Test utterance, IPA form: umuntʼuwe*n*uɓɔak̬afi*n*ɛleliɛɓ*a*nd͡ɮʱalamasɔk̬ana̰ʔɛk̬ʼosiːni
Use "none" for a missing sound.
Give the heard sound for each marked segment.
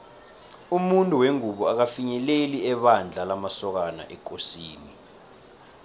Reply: ŋ, ɲ, a

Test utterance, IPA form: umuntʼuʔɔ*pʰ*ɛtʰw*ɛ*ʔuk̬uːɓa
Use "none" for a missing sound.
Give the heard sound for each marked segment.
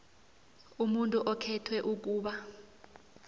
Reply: kʰ, ɛ

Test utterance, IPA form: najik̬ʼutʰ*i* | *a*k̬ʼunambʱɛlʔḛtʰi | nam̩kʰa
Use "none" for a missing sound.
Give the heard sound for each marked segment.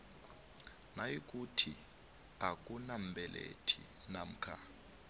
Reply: i, a

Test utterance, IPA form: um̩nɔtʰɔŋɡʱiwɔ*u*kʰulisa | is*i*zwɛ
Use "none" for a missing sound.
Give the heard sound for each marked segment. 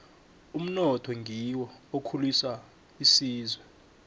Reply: o, iː

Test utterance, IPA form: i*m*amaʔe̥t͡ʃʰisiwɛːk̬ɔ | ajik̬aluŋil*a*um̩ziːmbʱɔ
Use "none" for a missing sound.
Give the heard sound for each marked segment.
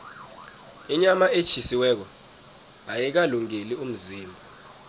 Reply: ɲ, i

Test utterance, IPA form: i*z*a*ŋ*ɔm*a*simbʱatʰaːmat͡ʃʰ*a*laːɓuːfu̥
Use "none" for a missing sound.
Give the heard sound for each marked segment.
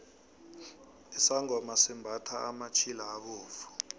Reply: s, ŋ, a, i

